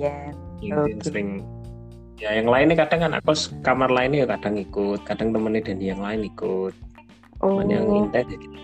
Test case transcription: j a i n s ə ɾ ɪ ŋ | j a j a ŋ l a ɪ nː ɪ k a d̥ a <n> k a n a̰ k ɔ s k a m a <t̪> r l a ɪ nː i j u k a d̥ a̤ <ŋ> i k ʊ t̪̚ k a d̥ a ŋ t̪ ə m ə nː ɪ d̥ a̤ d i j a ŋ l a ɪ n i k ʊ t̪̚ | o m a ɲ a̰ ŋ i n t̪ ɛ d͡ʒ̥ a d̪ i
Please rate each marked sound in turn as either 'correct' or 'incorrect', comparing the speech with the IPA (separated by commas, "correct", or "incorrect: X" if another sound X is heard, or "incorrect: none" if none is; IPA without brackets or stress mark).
incorrect: ŋ, incorrect: none, correct